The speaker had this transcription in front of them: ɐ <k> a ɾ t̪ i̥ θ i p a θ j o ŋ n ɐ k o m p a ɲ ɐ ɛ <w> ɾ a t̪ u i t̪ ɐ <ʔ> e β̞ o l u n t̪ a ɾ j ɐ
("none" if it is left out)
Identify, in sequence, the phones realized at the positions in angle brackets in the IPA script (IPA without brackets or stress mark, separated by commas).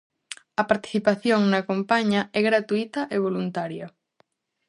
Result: p, ɣ, ʔ